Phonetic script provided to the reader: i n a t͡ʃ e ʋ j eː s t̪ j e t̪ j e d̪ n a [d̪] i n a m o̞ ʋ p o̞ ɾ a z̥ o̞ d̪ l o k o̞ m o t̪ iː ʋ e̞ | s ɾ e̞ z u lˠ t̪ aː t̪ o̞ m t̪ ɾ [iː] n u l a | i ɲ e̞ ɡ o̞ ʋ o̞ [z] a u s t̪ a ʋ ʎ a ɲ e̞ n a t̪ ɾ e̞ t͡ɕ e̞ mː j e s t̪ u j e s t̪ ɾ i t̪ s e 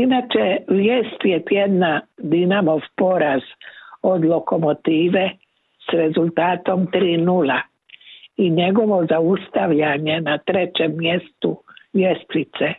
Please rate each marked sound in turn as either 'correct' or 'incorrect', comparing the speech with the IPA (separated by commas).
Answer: correct, correct, correct